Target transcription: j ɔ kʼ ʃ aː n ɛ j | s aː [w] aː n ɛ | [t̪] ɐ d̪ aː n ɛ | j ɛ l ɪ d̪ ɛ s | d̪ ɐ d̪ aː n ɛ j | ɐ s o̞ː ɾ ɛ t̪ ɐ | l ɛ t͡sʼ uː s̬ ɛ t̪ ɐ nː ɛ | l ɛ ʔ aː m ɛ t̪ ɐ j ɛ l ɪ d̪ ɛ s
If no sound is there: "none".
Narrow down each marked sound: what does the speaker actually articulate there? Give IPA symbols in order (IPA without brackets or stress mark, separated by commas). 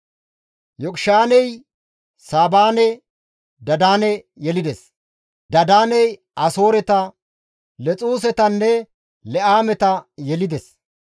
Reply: b, d̪